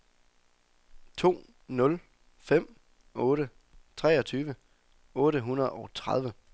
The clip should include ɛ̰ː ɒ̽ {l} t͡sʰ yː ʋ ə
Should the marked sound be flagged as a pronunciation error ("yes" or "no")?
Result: yes